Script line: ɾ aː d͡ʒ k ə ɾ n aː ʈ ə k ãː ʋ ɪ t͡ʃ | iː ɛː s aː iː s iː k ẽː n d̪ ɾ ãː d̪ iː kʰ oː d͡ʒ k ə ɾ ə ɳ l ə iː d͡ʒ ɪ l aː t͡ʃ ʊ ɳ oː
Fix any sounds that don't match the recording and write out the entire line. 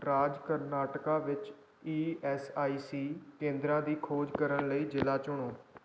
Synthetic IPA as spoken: ɾ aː d͡ʒ k ə ɾ n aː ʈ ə k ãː ʋ ɪ t͡ʃ | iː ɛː s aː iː s iː k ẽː n d̪ ɾ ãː d̪ iː kʰ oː d͡ʒ k ə ɾ ə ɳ l ə iː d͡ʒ ɪ l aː t͡ʃ ʊ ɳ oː